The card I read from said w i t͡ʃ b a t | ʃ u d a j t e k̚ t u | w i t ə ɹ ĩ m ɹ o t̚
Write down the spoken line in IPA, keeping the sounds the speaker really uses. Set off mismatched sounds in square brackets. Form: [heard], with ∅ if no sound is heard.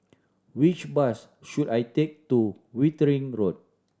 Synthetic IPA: w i t͡ʃ b a [s] | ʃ u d a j t e k̚ t u | w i t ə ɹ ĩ [ŋ] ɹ o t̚